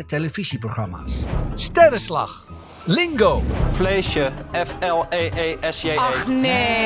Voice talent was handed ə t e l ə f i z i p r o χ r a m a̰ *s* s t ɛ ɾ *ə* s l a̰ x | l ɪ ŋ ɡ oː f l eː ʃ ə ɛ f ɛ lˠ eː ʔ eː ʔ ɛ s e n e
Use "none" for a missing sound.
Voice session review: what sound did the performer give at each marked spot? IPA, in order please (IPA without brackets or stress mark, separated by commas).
s, ə